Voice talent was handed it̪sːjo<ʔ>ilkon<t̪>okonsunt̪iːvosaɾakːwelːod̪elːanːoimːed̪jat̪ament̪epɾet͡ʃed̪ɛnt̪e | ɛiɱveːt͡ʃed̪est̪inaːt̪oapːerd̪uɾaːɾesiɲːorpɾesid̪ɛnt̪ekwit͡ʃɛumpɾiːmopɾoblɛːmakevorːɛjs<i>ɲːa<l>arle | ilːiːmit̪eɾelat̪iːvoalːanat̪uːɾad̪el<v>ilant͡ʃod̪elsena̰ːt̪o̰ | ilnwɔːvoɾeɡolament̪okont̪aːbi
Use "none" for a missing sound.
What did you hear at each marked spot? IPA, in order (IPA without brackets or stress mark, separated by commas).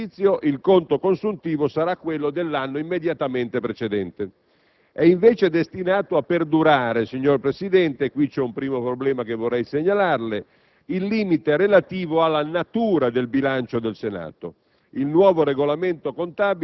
ʔ, t̪, e, l, b